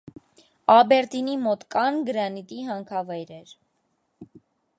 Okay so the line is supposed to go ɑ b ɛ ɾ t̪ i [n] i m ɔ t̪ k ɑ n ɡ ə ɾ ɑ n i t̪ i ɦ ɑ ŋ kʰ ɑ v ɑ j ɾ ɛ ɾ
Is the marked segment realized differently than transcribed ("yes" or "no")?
no